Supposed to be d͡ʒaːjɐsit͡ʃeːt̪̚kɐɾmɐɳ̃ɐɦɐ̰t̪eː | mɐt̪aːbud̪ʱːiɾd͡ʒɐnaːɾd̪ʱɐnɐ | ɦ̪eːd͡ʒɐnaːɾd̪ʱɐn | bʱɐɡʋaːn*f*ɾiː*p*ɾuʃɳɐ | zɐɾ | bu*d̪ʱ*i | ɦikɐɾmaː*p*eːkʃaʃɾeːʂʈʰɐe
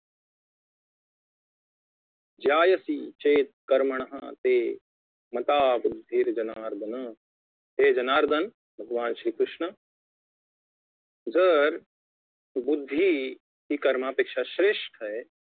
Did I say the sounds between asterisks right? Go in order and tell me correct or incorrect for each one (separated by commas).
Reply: incorrect, incorrect, incorrect, correct